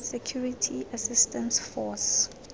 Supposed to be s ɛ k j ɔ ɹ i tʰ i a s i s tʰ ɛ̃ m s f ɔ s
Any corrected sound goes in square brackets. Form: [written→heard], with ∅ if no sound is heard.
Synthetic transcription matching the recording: s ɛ [k→kʰ] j [ɔ→u] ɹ i tʰ i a s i s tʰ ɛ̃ [m→n] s f ɔ s